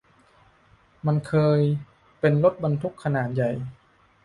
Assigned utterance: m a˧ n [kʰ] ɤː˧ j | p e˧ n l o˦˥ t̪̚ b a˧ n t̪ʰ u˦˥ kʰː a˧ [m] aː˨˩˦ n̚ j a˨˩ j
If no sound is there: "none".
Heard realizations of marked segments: kʰ, n

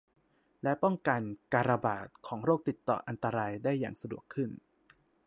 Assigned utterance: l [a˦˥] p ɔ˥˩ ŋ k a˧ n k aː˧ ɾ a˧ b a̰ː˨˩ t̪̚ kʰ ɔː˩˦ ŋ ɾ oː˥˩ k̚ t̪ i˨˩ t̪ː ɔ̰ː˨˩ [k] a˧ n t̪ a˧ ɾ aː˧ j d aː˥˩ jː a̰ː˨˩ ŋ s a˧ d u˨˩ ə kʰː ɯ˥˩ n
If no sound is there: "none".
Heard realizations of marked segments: ɛ˦˥, ʔ

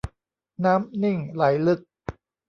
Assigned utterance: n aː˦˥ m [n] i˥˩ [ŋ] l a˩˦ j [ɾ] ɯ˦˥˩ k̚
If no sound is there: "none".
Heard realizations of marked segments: n, ŋ, l

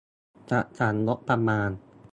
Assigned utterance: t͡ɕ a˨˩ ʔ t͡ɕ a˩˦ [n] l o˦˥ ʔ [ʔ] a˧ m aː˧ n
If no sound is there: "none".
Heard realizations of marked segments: n, p

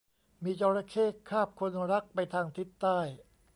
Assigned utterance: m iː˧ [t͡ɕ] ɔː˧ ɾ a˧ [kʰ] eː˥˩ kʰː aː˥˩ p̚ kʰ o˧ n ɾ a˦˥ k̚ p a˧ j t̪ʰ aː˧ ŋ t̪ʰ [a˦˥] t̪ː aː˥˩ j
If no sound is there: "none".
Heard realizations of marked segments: t͡ɕ, kʰ, i˦˥

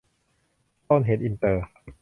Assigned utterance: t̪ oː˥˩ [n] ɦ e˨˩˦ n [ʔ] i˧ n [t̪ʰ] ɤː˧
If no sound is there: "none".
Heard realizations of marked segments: n, ʔ, t̪

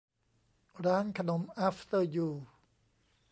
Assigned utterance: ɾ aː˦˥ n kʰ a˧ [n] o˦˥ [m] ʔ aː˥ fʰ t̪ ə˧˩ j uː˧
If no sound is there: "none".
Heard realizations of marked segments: n, m

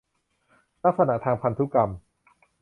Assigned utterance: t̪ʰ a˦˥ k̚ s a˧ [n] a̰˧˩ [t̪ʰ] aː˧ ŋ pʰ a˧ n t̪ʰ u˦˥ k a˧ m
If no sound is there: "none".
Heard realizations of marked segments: n, t̪ʰ

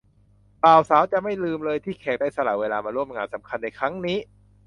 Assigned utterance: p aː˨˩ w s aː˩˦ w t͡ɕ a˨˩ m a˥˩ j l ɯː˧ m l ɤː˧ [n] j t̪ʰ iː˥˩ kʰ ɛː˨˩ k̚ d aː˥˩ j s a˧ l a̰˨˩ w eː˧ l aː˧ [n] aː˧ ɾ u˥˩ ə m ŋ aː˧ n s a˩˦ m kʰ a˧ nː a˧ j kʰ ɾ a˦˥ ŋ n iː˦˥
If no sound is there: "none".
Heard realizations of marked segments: none, m

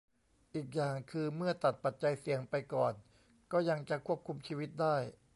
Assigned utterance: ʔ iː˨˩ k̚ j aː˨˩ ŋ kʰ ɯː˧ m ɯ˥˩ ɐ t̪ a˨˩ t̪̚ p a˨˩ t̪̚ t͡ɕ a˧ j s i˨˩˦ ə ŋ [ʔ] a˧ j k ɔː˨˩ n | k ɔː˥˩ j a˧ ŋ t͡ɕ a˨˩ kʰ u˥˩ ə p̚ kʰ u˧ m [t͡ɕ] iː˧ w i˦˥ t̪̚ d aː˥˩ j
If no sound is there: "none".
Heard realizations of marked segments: p, t͡ɕʰ

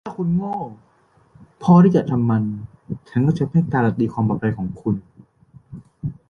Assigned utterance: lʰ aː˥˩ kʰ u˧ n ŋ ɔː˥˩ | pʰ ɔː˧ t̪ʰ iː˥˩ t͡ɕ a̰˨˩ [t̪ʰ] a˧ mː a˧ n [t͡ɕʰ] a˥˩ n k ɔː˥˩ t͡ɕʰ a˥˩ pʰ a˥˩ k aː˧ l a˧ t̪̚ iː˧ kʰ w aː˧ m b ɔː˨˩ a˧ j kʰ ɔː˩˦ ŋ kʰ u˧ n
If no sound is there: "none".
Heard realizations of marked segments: t̪ʰ, t͡ɕʰ

